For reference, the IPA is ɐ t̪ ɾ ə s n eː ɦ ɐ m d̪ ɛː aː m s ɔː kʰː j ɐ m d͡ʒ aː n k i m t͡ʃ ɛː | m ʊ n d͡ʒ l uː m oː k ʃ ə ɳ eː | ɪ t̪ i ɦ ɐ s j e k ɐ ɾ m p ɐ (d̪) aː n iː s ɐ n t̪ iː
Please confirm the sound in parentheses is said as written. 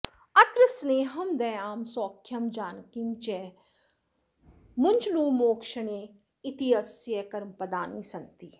yes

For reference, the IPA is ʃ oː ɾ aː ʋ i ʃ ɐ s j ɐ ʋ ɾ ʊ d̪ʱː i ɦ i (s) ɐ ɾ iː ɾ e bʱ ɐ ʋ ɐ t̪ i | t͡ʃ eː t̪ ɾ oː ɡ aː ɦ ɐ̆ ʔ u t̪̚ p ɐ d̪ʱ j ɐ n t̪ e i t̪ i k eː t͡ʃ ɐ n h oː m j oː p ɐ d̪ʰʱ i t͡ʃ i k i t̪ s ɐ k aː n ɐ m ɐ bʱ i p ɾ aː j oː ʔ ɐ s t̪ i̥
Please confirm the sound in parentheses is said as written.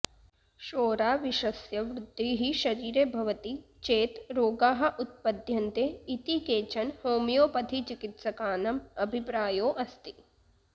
no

